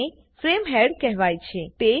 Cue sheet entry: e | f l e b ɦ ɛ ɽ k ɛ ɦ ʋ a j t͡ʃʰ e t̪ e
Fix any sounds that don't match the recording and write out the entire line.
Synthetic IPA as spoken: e | f ɾ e m ɦ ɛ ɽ k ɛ ɦ ʋ a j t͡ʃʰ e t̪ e